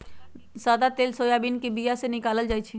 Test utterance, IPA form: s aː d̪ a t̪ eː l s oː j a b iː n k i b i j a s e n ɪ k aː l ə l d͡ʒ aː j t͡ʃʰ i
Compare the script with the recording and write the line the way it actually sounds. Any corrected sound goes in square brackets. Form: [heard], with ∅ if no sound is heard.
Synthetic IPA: s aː d̪ a t̪ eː l s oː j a b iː n k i b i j a s e n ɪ k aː l ə l d͡ʒ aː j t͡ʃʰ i